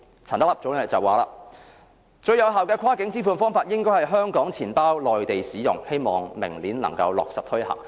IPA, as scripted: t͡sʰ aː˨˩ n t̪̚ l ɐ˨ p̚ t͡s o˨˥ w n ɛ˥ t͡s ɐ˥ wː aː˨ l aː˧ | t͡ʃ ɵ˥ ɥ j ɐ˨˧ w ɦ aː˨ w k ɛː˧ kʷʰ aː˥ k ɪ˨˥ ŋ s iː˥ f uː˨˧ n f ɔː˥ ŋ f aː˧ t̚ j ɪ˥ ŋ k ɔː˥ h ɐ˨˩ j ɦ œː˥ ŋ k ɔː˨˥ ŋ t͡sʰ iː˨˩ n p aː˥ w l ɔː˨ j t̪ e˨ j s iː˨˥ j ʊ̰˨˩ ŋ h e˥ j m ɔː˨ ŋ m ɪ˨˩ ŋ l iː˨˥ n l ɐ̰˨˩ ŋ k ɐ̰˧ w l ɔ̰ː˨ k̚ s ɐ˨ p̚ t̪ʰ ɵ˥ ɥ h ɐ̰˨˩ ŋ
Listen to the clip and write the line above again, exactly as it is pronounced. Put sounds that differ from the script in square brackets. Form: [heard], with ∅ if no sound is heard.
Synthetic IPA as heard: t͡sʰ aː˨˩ n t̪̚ l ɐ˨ p̚ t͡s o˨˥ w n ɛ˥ t͡s [ɐ˨] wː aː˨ l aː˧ | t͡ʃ [ɵ˧] ɥ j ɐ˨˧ w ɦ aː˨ w k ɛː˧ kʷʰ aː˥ k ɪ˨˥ ŋ [t͡s] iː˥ f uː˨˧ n f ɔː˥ ŋ f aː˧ t̚ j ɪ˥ ŋ k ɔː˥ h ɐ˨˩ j ɦ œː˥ ŋ k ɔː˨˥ ŋ t͡sʰ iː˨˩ n p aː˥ w l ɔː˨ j t̪ e˨ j s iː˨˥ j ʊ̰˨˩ ŋ h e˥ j m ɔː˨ ŋ m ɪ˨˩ ŋ l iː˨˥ n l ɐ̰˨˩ ŋ k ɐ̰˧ w l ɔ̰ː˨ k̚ s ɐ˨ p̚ t̪ʰ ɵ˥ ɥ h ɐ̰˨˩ ŋ

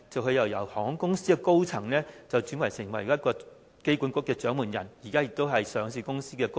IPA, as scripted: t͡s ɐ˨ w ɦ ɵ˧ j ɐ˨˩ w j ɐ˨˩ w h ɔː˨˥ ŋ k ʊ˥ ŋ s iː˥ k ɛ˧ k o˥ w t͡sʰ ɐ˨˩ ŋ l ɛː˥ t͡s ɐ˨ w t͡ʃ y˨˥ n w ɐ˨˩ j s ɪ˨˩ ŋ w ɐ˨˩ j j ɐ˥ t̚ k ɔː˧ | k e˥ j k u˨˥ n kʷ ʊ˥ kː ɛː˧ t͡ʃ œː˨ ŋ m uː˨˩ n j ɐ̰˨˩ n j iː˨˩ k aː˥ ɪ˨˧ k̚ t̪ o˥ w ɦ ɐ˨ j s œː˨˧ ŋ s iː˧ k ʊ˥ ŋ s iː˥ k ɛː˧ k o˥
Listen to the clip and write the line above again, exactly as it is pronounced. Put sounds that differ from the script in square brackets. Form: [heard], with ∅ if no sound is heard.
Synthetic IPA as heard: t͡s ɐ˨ w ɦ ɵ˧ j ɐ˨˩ w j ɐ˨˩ w h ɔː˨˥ ŋ k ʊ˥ ŋ s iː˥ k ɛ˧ k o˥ w t͡sʰ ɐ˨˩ ŋ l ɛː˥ t͡s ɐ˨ w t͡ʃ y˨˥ n w ɐ˨˩ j s ɪ˨˩ ŋ w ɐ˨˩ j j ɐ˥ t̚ k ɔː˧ | k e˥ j k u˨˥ n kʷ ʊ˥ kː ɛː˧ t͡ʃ [œː˨˥] ŋ m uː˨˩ n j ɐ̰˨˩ n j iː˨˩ k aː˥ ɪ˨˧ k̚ t̪ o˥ w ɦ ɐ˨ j s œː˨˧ ŋ s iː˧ k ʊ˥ ŋ s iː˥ k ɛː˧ k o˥

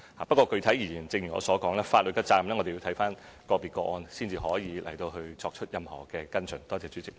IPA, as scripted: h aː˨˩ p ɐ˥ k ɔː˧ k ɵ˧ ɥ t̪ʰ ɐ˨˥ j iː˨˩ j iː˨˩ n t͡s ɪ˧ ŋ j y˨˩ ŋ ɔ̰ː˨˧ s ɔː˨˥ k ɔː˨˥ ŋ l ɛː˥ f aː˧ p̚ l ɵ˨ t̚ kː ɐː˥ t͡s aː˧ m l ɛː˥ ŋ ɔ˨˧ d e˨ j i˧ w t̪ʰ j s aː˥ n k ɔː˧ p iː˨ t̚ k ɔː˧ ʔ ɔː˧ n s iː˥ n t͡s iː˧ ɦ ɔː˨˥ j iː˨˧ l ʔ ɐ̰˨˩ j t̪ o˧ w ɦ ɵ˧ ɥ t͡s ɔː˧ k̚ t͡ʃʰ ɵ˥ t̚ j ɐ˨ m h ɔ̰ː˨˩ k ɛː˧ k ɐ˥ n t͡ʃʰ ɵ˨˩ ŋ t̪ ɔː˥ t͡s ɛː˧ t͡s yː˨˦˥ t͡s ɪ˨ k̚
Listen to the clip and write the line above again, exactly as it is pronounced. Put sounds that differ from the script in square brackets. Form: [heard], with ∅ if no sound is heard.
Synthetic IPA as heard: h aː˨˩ p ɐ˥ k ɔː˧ k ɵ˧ ɥ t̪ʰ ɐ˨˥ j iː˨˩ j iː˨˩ n t͡s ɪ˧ ŋ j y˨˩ ŋ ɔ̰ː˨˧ s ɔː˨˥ k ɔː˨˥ ŋ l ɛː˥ f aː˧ [t̚] l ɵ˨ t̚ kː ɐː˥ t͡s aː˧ m l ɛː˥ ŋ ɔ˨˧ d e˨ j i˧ w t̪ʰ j [f] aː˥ n k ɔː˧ p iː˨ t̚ k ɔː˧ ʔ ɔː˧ n s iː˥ n t͡s iː˧ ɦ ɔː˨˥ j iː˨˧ l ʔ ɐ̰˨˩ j t̪ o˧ w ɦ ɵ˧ ɥ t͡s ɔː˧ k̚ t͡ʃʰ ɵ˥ t̚ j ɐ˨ m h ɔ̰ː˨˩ k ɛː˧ k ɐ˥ n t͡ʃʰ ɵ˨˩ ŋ t̪ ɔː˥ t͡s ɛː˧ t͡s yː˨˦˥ t͡s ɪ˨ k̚

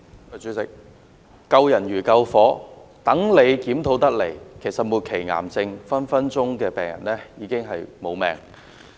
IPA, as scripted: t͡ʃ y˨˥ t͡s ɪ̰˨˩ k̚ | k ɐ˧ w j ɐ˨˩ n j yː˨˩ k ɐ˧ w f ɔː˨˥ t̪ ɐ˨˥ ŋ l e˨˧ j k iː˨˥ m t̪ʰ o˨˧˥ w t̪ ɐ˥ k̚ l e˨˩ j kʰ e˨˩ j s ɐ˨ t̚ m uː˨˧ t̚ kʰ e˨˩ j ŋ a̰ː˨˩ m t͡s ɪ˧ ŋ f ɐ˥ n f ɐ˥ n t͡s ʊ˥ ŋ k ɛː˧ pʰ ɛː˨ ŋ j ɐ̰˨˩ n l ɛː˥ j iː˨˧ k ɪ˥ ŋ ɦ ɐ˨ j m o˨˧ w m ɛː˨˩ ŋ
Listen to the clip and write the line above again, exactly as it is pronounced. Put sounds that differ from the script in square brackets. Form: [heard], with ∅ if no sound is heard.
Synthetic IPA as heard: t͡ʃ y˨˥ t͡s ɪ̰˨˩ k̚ | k ɐ˧ w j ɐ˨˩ n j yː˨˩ k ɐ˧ w f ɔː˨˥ t̪ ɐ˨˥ ŋ l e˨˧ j k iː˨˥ m t̪ʰ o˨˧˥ w t̪ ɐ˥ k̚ l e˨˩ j kʰ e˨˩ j s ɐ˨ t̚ m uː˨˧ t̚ kʰ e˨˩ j ŋ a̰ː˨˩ m t͡s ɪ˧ ŋ f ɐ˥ n f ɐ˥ n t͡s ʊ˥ ŋ k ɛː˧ [p] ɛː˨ ŋ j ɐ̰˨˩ n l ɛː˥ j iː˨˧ k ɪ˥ ŋ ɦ ɐ˨ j m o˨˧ w m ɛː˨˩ ŋ

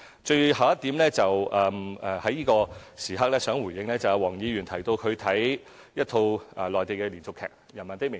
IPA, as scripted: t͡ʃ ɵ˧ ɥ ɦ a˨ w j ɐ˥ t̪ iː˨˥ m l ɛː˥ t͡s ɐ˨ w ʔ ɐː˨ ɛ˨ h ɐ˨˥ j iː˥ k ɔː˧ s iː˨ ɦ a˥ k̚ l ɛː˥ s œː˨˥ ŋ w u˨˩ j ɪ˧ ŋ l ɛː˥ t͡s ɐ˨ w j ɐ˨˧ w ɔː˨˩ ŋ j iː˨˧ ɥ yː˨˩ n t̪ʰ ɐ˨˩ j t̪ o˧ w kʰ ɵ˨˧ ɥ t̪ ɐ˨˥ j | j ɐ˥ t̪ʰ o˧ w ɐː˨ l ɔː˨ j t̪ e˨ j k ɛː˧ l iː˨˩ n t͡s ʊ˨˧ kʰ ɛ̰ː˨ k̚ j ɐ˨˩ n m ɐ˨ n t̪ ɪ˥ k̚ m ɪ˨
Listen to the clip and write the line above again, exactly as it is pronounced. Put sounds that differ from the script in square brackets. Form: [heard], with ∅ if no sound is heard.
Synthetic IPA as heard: t͡ʃ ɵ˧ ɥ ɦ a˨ w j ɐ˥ t̪ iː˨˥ m l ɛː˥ t͡s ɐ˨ w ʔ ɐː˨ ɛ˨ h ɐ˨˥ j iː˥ k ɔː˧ s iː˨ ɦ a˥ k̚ l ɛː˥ s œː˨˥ ŋ w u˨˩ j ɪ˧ ŋ l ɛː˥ t͡s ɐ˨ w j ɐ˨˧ w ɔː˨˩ ŋ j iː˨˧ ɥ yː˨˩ n t̪ʰ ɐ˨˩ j t̪ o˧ w kʰ ɵ˨˧ ɥ [t̪ʰ] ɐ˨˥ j | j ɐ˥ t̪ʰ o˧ w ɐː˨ l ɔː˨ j t̪ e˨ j k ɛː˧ l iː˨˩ n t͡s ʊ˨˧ kʰ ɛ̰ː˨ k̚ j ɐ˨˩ n m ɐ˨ n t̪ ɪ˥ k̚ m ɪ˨

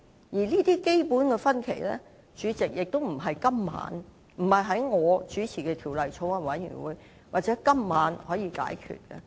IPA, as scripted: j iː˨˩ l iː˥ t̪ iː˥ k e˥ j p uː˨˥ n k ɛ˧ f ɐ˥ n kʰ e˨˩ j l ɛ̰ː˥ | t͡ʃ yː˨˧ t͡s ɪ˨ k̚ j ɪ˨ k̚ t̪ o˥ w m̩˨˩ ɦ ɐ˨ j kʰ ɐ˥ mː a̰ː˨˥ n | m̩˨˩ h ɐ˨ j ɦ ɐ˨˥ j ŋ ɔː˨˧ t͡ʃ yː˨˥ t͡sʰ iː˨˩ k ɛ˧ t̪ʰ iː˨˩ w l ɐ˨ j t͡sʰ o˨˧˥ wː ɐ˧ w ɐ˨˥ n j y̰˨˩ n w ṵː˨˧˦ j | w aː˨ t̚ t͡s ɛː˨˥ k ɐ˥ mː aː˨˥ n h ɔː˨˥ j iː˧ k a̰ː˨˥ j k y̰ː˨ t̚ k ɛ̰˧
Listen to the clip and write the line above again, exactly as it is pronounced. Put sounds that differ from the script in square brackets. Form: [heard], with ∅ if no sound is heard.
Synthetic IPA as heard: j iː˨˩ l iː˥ t̪ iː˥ k e˥ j p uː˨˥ n k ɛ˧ f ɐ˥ n kʰ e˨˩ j l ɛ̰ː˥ | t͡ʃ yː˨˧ t͡s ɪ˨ k̚ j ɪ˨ k̚ t̪ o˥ w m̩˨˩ ɦ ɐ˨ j [k] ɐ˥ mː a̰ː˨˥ n | m̩˨˩ h ɐ˨ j ɦ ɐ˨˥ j ŋ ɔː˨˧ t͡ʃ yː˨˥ t͡sʰ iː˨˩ k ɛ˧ t̪ʰ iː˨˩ w l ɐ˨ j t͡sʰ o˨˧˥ [w] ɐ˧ w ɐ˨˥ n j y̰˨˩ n w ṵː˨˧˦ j | w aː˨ t̚ t͡s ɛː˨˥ k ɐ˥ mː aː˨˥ n h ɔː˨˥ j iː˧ k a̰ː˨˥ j [kʰ] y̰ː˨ t̚ k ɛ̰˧

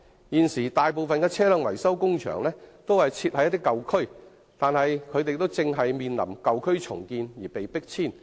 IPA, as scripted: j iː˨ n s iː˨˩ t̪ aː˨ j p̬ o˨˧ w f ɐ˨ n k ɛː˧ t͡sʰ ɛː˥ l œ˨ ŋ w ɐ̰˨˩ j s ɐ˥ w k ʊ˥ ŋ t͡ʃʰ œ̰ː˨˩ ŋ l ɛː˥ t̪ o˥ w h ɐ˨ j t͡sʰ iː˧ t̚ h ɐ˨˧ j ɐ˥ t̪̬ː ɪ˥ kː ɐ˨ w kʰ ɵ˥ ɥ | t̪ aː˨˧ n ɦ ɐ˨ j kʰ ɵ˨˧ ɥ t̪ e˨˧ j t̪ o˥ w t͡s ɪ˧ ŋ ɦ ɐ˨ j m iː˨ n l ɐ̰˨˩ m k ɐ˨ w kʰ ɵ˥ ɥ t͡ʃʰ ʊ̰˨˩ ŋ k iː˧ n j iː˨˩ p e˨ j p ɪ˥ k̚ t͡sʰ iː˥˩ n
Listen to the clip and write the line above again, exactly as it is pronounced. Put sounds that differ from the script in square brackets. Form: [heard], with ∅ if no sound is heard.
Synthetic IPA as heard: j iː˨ n s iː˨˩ t̪ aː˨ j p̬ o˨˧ w f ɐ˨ n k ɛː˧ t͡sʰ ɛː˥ l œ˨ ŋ w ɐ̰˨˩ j s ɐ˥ w k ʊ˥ ŋ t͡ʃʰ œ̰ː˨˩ ŋ l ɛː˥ t̪ o˥ w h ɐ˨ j t͡sʰ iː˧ t̚ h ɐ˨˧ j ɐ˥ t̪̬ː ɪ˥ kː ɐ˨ w kʰ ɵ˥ ɥ | t̪ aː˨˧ n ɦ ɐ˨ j kʰ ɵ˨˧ ɥ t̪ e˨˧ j t̪ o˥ w t͡s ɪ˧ ŋ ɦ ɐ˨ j m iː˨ n l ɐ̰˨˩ m k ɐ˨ w kʰ ɵ˥ ɥ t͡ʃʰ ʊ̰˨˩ ŋ k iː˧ n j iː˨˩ p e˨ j p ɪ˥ k̚ t͡sʰ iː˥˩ n

